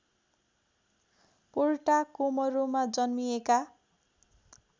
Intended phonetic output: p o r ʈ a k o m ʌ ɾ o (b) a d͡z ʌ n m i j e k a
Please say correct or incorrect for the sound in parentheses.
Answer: incorrect